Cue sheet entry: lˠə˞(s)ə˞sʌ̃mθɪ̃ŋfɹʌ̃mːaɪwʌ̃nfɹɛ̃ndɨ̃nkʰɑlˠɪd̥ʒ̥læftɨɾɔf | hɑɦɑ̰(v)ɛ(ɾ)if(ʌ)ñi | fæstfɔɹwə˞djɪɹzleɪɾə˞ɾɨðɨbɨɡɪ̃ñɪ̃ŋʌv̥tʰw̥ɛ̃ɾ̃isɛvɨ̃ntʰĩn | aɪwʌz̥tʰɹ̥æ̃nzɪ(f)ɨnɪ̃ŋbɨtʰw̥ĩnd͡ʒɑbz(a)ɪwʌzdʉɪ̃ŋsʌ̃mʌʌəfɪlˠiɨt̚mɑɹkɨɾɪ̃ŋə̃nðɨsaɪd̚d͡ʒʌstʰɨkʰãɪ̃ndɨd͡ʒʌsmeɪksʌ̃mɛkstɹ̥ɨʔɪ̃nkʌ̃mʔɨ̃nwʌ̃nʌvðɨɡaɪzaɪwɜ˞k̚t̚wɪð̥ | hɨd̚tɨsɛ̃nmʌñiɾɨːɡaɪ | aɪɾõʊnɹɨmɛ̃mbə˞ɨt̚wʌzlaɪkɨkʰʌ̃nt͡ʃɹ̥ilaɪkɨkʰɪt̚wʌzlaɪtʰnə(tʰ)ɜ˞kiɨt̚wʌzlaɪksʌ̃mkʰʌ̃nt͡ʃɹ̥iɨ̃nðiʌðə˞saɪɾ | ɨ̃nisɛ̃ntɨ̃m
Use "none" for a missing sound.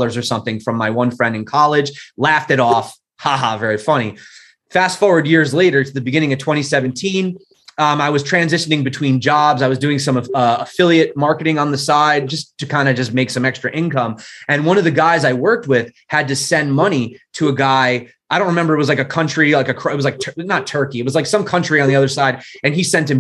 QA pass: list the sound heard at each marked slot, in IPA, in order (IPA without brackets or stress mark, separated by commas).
z, v, ɹ, ʌ, ʃ, a, tʰ